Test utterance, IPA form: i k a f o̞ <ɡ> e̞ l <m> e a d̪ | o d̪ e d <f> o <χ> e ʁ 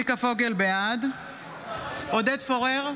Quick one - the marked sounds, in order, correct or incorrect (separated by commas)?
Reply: correct, incorrect, correct, incorrect